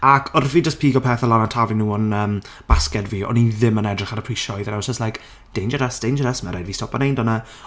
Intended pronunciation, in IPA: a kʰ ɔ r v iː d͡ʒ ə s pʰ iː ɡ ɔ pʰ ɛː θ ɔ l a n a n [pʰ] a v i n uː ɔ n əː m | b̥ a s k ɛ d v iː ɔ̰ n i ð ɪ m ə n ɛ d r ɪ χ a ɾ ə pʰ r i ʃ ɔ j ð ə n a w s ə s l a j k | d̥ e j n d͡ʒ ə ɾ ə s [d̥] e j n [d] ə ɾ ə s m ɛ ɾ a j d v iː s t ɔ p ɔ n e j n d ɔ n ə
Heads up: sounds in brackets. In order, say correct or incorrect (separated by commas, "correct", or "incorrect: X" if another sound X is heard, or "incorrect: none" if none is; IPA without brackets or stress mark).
incorrect: tʰ, correct, incorrect: d͡ʒ